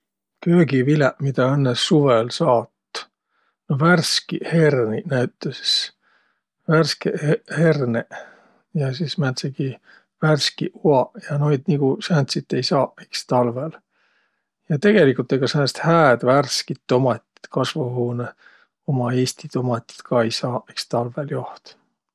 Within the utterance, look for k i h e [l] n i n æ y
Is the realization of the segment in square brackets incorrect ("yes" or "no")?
yes